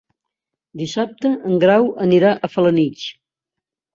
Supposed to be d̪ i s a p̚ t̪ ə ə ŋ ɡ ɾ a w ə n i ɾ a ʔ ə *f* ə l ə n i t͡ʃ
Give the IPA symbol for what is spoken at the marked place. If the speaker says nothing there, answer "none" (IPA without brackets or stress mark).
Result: f